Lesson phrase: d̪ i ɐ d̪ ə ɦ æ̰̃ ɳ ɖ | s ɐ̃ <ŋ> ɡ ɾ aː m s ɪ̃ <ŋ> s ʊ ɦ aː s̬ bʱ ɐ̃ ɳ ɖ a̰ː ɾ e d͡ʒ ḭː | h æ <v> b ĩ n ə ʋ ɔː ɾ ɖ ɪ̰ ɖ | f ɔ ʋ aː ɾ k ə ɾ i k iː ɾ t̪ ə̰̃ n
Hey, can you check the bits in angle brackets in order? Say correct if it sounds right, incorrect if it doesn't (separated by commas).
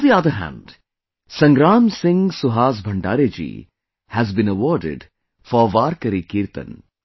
correct, correct, incorrect